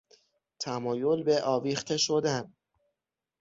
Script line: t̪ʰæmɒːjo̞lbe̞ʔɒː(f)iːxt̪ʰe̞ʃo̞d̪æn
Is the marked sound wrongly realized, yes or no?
yes